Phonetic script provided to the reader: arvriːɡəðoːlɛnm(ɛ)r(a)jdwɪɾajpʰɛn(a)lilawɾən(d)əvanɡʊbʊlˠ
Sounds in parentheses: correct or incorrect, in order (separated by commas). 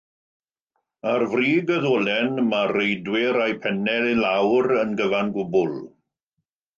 incorrect, incorrect, incorrect, incorrect